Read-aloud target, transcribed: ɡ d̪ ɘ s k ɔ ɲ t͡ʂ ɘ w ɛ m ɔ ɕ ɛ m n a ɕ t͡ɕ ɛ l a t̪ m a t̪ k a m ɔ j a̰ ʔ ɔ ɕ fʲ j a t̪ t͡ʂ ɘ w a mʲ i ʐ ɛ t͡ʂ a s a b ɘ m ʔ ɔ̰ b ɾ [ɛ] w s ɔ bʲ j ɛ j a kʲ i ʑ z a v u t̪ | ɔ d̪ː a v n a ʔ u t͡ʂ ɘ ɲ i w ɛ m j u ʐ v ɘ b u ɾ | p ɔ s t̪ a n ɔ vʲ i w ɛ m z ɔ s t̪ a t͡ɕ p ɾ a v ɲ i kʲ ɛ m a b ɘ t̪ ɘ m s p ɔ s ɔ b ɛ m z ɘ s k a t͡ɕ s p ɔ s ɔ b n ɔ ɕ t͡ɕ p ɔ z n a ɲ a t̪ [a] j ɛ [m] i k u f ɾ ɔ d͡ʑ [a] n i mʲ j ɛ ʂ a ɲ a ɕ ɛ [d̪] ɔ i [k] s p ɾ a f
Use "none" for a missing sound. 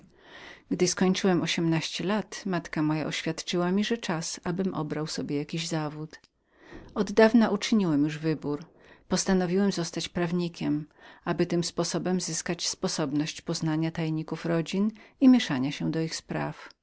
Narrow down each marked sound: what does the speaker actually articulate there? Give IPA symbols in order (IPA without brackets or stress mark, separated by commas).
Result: a, a, ɲ, i, d̪, x